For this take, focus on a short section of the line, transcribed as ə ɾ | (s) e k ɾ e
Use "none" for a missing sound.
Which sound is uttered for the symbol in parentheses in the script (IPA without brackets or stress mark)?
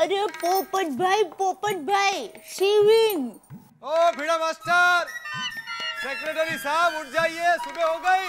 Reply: s